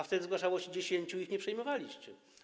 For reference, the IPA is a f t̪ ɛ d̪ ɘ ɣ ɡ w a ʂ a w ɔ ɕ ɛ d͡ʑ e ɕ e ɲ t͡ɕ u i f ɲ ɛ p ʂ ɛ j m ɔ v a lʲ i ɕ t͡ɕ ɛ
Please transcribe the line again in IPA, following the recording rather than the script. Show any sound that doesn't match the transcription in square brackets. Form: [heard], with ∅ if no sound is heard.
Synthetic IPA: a f t̪ ɛ d̪ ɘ [z] ɡ w a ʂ a w ɔ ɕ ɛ d͡ʑ e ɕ e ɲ t͡ɕ u i [x] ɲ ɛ p ʂ ɛ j m ɔ v a lʲ i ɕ t͡ɕ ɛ